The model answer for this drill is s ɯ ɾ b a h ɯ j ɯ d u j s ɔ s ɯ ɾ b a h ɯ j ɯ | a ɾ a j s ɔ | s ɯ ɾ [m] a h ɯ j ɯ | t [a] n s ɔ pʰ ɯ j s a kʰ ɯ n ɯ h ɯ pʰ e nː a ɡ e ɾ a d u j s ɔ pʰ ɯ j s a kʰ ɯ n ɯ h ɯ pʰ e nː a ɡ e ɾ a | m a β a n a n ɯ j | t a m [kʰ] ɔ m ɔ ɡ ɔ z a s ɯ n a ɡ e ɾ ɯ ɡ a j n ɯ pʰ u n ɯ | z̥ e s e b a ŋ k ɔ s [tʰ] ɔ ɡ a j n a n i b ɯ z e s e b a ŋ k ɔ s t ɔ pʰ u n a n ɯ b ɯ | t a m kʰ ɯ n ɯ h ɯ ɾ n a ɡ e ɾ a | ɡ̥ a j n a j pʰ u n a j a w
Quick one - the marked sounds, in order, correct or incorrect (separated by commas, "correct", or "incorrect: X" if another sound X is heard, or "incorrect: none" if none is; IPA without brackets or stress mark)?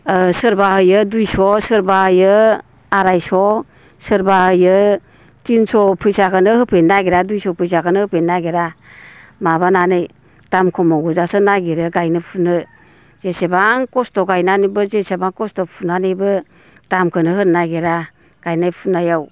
incorrect: b, incorrect: i, correct, incorrect: t